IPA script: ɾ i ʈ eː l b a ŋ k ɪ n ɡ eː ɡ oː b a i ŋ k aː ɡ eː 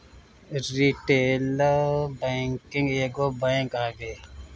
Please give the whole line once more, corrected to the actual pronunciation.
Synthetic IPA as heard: ɾ i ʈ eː l b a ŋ k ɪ ŋ ɡ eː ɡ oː b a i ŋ k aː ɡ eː